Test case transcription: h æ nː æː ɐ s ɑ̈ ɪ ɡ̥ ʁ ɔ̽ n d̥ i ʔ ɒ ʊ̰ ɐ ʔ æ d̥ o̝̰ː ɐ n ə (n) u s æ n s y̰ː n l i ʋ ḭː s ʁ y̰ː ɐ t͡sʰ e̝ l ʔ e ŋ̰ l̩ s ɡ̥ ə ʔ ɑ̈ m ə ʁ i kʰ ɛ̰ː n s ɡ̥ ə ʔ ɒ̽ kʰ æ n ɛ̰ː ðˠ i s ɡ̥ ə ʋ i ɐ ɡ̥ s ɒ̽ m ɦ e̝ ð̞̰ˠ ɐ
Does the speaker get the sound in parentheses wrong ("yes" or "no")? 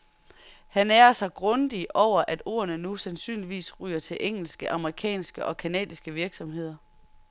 no